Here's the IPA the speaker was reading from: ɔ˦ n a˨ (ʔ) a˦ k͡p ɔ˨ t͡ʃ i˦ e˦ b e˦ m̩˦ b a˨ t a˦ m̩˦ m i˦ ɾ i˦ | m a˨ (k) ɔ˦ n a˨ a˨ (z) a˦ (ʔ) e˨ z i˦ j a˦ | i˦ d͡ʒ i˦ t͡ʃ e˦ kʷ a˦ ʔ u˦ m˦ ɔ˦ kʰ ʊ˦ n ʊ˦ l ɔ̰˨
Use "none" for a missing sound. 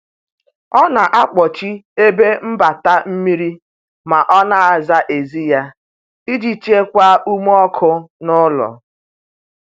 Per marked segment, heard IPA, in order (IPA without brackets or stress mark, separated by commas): ʔ, ʔ, z, ʔ